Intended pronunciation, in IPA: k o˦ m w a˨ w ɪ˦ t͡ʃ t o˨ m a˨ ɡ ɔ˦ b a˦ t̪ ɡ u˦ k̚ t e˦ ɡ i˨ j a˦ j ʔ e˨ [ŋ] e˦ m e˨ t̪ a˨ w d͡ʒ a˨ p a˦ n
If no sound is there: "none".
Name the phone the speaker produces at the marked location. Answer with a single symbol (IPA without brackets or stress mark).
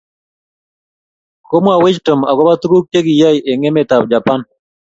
ŋ